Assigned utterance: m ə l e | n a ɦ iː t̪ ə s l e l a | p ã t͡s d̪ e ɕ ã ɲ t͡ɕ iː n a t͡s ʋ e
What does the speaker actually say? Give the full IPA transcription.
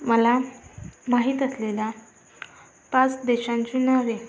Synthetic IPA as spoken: m ə l a | m a ɦ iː t̪ ə s l e l a | p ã t͡s d̪ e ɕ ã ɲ t͡ɕ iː n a ʋ e